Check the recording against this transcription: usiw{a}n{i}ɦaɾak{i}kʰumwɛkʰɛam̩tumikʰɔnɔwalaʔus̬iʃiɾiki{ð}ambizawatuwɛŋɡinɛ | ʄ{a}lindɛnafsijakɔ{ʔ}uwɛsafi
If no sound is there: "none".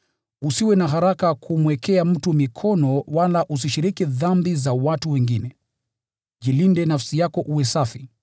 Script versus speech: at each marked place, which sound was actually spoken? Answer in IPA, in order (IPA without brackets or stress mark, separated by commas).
ɛ, a, a, ð, i, ʔ